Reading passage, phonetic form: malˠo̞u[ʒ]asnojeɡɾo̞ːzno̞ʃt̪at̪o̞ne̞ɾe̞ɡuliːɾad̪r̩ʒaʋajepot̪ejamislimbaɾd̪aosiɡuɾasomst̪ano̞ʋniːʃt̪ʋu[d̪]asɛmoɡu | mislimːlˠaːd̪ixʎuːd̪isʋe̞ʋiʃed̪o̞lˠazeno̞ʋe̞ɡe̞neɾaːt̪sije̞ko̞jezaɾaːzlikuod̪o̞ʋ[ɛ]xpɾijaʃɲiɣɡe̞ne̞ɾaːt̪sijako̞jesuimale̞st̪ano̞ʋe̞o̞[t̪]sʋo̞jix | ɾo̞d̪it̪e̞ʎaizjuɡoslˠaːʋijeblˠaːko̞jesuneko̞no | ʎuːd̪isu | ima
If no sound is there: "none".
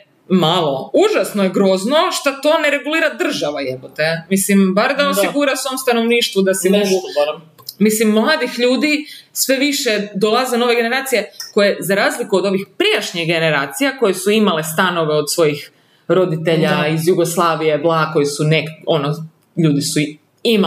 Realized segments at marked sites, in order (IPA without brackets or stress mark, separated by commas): ʒ, d̪, i, d̪